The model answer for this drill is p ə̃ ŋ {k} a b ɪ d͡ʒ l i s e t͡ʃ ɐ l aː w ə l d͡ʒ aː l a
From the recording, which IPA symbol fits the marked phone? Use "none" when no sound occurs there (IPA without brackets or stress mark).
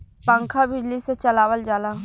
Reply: kʰ